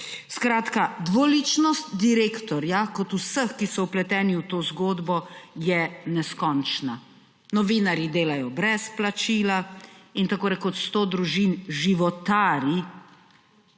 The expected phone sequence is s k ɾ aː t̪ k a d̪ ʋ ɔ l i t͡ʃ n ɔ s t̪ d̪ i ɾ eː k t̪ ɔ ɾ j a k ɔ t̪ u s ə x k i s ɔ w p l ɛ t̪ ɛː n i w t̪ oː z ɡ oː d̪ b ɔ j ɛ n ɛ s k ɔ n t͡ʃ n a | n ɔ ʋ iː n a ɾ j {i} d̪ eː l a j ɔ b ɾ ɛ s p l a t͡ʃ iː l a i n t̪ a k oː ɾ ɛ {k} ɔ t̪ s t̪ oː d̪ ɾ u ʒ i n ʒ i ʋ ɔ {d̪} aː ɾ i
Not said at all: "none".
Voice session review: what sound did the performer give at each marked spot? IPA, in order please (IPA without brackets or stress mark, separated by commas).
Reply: i, k, t̪